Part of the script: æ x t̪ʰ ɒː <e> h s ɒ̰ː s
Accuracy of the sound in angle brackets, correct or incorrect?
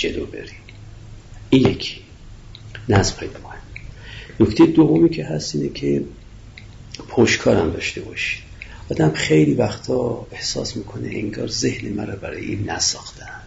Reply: correct